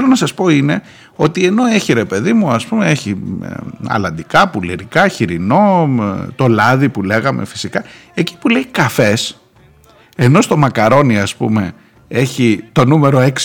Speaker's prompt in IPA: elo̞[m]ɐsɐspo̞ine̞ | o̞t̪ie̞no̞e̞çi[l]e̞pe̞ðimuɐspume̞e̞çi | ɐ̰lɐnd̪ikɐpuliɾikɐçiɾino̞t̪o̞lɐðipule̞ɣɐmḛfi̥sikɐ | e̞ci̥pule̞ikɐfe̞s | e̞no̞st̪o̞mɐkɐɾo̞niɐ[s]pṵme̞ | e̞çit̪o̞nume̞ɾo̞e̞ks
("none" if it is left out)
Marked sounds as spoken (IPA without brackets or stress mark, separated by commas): n, ɾ, s